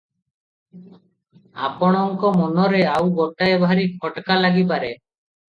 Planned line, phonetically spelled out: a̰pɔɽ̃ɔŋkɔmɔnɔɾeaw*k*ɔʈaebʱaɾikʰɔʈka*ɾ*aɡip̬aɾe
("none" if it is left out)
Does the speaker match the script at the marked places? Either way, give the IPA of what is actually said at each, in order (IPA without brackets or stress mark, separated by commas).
ɡ, l